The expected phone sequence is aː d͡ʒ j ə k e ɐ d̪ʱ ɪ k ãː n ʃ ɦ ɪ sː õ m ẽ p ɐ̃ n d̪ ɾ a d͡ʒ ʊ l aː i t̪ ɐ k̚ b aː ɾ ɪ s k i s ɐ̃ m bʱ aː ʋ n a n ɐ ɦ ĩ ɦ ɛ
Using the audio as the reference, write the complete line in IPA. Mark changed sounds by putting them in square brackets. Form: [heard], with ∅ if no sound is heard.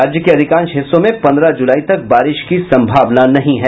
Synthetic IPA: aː d͡ʒ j ə k e ɐ d̪ʱ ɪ k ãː n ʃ ɦ ɪ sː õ m ẽ p ɐ̃ n d̪ ɾ a d͡ʒ ʊ l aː i t̪ ɐ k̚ b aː ɾ ɪ [ʃ] k i s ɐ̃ m bʱ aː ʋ n a n ɐ ɦ ĩ ɦ ɛ